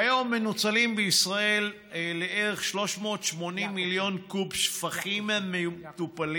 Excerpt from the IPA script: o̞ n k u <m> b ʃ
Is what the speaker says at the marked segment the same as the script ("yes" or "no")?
no